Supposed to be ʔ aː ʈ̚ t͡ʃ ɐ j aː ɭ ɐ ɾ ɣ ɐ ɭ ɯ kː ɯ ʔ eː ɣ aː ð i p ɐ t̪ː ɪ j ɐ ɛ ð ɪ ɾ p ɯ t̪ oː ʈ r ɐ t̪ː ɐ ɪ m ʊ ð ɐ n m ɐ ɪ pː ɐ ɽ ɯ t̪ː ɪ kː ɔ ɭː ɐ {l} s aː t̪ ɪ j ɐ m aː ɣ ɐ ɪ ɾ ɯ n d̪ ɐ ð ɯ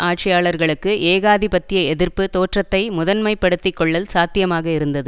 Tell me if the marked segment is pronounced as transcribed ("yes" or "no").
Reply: yes